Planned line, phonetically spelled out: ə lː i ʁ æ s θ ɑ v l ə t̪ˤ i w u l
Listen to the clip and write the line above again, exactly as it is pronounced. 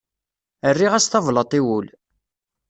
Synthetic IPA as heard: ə rː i ʁ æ s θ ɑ v l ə t̪ˤ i w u l